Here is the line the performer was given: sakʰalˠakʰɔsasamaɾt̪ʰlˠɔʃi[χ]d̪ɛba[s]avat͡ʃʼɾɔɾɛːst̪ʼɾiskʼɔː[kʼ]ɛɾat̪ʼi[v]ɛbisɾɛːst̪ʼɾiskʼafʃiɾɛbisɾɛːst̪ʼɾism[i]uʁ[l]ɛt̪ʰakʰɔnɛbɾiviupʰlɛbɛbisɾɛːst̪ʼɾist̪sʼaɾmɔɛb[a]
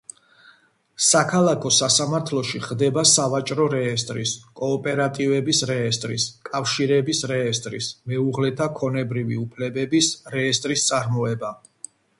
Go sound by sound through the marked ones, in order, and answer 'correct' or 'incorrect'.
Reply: correct, correct, incorrect: pʼ, correct, incorrect: ɛ, correct, correct

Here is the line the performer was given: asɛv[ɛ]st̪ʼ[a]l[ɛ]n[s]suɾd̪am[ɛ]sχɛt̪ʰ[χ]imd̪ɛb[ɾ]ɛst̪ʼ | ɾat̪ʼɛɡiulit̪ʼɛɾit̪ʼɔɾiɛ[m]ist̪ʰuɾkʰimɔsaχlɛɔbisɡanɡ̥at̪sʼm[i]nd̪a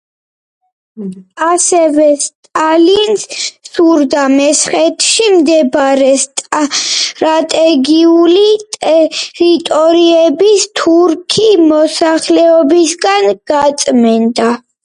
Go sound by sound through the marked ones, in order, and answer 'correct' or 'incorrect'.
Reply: correct, correct, incorrect: i, correct, correct, incorrect: ʃ, correct, incorrect: b, incorrect: ɛ

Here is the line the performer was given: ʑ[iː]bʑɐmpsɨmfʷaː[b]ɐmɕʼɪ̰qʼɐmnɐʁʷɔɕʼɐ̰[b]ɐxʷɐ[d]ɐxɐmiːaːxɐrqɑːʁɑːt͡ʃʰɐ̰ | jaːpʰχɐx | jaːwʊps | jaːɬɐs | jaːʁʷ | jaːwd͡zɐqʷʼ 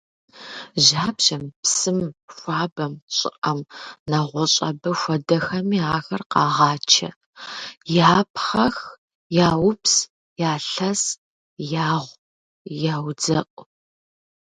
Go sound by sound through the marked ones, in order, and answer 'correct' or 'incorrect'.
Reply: incorrect: aː, correct, correct, correct

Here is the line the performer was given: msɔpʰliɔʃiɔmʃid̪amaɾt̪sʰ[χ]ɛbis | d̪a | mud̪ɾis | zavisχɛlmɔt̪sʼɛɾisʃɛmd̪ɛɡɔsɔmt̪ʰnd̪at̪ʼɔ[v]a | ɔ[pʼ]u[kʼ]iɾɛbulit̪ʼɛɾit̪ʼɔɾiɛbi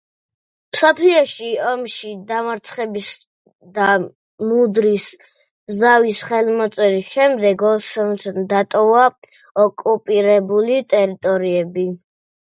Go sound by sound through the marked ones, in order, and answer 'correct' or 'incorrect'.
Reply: correct, correct, incorrect: kʼ, incorrect: pʼ

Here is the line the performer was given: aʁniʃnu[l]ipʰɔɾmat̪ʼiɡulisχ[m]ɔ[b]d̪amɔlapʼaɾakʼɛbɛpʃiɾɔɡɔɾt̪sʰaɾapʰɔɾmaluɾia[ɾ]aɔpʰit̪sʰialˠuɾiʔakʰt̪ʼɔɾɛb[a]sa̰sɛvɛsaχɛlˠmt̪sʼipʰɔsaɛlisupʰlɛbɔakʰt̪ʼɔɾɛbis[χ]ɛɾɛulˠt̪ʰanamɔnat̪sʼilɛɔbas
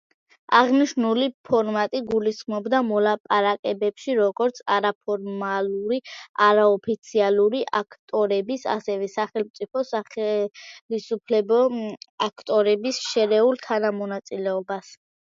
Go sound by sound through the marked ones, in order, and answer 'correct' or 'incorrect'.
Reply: correct, correct, correct, correct, incorrect: i, incorrect: ʃ

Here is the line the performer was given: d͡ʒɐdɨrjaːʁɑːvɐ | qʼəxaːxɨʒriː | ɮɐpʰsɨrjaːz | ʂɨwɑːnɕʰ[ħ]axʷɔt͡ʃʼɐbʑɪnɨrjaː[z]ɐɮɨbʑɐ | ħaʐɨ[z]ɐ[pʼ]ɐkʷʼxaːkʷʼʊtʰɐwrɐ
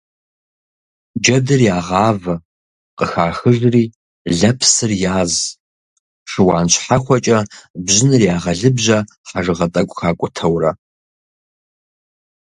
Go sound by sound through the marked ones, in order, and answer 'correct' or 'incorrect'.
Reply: correct, incorrect: ʁ, incorrect: ʁ, incorrect: tʼ

